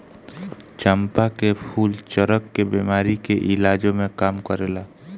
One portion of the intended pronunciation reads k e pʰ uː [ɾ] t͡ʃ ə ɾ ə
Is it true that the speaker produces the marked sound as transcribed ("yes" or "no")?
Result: no